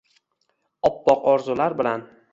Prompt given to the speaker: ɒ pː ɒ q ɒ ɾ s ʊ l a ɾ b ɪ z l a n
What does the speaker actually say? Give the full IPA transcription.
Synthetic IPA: ɒ pː ɒ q ɒ ɾ z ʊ l a ɾ b ɪ l a n